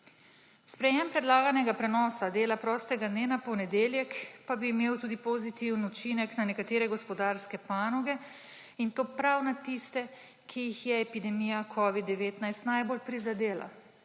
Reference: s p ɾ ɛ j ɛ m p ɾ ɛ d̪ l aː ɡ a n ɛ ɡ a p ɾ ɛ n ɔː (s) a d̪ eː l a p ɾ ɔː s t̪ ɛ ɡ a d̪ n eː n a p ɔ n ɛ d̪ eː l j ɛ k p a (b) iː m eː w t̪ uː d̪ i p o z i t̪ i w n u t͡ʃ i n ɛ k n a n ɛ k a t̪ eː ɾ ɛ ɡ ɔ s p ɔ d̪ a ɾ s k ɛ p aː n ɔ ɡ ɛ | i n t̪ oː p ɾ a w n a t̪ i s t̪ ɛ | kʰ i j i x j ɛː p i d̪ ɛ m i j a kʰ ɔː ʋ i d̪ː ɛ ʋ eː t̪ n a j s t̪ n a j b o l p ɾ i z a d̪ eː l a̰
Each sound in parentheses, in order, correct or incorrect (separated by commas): correct, correct